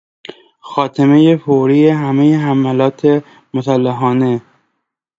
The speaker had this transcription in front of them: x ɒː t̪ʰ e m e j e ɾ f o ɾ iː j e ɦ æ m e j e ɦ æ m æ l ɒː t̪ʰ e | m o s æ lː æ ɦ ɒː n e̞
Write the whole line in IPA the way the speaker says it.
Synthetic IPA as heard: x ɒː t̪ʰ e m e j e f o ɾ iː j e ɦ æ m e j e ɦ æ m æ l ɒː t̪ʰ e | m o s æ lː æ ɦ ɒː n e̞